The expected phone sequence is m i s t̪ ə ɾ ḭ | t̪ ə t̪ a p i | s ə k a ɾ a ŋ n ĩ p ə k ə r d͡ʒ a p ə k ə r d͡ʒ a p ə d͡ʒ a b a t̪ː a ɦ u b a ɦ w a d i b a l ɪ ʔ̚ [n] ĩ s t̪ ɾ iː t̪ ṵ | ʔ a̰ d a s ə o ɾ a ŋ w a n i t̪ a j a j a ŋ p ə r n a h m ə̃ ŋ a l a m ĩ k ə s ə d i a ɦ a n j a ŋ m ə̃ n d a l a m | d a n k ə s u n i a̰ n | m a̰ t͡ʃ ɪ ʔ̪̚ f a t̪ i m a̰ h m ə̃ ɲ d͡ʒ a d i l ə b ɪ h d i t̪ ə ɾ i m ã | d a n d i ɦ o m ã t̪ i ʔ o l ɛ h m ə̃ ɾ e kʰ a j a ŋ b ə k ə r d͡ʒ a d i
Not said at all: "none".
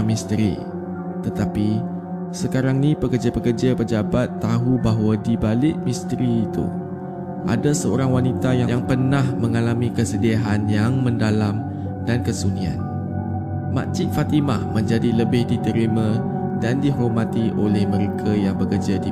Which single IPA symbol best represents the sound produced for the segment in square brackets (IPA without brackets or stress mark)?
m